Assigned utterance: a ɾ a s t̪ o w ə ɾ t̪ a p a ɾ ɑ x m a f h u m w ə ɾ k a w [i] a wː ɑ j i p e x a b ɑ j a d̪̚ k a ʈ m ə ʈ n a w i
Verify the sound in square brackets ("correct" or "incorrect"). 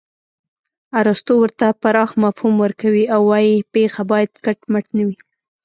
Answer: correct